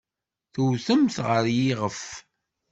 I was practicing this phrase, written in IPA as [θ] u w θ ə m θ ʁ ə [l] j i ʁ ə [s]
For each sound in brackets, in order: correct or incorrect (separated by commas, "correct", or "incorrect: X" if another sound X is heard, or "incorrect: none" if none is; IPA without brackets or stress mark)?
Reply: correct, incorrect: ɾ, incorrect: f